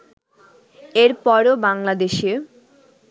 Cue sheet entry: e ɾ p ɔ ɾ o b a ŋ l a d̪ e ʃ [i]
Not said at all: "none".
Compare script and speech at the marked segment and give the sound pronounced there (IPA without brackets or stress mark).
e